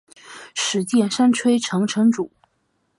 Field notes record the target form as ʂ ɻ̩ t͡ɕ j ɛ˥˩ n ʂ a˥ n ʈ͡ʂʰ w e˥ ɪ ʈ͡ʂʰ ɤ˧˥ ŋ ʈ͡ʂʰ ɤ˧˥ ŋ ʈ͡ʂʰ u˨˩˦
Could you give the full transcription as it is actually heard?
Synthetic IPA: ʂ ɻ̩ t͡ɕ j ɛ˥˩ n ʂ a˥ n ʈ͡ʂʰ w e˥ ɪ ʈ͡ʂʰ ɤ˧˥ ŋ ʈ͡ʂʰ ɤ˧˥ ŋ ʈ͡ʂ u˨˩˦